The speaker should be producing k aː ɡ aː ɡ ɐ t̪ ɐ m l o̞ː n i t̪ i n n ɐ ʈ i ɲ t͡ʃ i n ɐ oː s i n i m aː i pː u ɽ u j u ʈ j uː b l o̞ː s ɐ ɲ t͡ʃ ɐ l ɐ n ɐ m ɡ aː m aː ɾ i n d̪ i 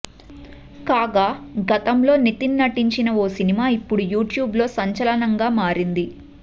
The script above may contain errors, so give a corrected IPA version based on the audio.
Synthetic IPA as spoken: k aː ɡ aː ɡ ɐ t̪ ɐ m l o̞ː n i t̪ i n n ɐ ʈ i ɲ t͡ʃ i n ɐ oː s i n i m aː i pː u ɽ u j uː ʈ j uː b l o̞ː s ɐ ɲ t͡ʃ ɐ l ɐ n ɐ ŋ ɡ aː m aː ɾ i n d̪ i

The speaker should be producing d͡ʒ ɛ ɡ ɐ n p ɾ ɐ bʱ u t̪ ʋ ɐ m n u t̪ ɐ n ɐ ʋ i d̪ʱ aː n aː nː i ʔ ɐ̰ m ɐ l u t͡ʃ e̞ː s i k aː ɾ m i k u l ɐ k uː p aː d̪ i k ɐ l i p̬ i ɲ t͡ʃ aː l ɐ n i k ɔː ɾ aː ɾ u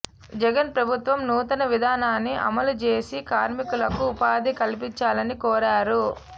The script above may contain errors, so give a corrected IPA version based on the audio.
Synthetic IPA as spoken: d͡ʒ ɛ ɡ ɐ n p ɾ ɐ bʱ u t̪ ʋ ɐ m n uː t̪ ɐ n ɐ ʋ i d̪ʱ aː n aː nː i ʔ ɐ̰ m ɐ l u t͡ʃ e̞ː s i k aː ɾ m i k u l ɐ k uː p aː d̪ i k ɐ l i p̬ i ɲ t͡ʃ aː l ɐ n i k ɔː ɾ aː ɾ u

